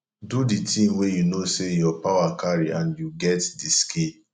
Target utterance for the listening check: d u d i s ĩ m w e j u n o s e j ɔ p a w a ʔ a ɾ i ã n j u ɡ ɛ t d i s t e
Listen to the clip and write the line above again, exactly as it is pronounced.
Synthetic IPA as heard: d u d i t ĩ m w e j u n o s e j ɔ p a w a k a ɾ i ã n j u ɡ ɛ t d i s k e